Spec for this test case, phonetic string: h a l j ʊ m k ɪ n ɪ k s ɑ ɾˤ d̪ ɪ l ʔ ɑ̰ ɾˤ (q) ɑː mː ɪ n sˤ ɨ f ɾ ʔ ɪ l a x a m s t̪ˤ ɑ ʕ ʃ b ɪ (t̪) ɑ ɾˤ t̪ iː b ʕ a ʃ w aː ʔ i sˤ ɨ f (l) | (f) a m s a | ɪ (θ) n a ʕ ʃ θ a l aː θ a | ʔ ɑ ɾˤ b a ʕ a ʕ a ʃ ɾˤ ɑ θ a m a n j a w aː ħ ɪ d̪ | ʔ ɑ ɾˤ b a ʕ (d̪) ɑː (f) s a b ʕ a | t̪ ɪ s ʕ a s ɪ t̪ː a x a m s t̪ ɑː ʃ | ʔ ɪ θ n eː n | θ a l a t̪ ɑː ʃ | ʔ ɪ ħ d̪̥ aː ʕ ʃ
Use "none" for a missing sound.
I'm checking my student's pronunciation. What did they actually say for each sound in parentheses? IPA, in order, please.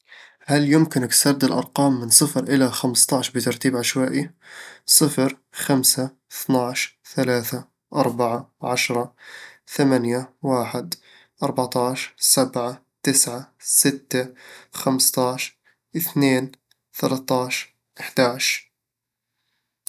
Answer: q, t̪, ɾ, x, θ, t̪, ʃ

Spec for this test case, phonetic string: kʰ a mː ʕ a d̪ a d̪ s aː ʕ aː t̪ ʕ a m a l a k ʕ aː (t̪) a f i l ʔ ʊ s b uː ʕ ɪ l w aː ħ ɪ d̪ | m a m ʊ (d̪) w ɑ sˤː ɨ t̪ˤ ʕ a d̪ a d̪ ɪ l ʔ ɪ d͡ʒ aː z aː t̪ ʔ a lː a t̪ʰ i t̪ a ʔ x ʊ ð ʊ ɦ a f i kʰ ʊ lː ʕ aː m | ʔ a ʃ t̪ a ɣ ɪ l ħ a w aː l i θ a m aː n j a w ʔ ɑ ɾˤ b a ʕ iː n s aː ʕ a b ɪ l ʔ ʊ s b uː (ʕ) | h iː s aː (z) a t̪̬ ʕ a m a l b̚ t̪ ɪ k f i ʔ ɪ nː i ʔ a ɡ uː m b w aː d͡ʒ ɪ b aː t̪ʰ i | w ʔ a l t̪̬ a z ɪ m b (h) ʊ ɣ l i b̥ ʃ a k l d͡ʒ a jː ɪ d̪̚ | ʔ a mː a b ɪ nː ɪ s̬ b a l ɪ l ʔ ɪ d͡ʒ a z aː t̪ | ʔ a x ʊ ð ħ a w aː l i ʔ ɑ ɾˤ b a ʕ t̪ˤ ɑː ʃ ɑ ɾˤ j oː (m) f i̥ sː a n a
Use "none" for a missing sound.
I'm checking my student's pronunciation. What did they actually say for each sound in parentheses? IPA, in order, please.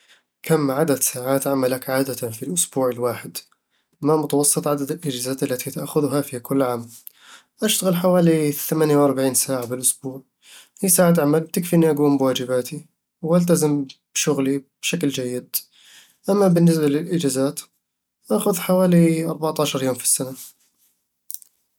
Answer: d̪, t̪, ʕ, ʕ, ʃ, m

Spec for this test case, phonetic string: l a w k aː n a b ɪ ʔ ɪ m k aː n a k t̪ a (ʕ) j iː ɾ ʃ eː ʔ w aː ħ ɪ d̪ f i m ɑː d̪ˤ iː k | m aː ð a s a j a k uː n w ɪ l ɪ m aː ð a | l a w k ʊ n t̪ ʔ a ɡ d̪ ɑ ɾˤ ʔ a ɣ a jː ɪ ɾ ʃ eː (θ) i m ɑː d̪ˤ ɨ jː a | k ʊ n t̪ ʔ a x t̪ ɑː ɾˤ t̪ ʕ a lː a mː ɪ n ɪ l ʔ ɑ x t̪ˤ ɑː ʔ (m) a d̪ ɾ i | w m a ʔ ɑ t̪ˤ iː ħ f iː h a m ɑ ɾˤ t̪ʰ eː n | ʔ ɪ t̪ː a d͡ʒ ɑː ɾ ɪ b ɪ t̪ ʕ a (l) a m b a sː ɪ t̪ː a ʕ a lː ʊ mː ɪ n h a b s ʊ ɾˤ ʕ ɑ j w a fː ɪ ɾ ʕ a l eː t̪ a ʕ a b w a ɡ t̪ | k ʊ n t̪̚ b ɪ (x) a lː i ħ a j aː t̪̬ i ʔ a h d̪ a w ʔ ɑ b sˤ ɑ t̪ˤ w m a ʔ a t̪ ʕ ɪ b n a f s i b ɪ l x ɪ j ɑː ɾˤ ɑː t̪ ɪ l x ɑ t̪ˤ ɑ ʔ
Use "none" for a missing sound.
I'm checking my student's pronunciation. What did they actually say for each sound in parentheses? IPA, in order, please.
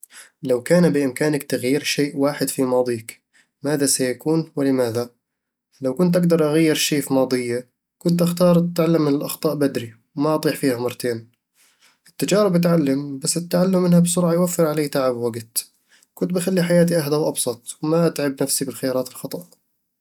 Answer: ɣ, f, b, lː, x

